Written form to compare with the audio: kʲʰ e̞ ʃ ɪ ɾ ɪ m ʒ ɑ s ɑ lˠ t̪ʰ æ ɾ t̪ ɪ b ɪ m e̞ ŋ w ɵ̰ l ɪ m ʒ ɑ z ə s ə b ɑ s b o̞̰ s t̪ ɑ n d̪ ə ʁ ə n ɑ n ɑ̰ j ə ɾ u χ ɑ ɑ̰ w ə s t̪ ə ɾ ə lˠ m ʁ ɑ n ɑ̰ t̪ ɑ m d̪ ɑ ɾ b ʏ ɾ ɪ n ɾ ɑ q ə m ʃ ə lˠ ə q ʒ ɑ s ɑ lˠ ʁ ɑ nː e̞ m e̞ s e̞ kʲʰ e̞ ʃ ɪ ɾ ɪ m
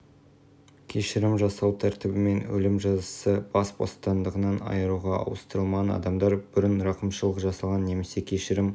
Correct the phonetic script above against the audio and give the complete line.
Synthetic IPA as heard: kʲʰ e̞ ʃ ɪ ɾ ɪ m ʒ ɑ s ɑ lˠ t̪ʰ æ ɾ t̪ ɪ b ɪ m e̞ n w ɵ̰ l ɪ m ʒ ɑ z ə s ə b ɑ s b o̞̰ s t̪ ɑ n d̪ ə ʁ ə n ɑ n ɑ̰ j ə ɾ u ʁ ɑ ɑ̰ w ə s t̪ ə ɾ ə lˠ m ʁ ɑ n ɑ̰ d̪ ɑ m d̪ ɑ ɾ b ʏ ɾ ɪ n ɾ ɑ q ə m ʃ ə lˠ ə q ʒ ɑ s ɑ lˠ ʁ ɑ nː e̞ m e̞ s e̞ kʲʰ e̞ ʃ ɪ ɾ ɪ m

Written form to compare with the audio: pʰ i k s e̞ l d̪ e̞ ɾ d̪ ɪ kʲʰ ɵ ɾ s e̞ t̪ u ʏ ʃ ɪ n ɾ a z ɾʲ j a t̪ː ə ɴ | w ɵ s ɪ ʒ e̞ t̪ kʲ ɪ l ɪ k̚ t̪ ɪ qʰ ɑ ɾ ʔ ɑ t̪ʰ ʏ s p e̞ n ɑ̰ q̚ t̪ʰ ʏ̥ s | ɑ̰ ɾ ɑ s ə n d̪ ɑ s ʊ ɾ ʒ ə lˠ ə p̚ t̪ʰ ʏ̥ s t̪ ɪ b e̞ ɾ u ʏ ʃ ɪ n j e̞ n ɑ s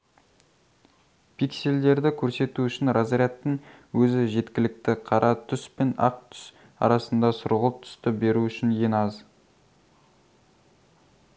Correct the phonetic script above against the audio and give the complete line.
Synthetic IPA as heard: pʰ i k s e̞ l d̪ e̞ ɾ d̪ ɪ kʲʰ ɵ ɾ s e̞ t̪ u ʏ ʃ ɪ n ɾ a z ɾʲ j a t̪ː ə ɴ | w ɵ z ɪ ʒ e̞ t̪ kʲ ɪ l ɪ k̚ t̪ ɪ qʰ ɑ ɾ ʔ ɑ t̪ʰ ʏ s p e̞ n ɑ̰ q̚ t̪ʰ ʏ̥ s | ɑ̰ ɾ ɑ s ə n d̪ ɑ s ʊ ɾ ʁ ə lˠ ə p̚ t̪ʰ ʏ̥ s t̪ ɪ b e̞ ɾ u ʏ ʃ ɪ n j e̞ n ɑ z

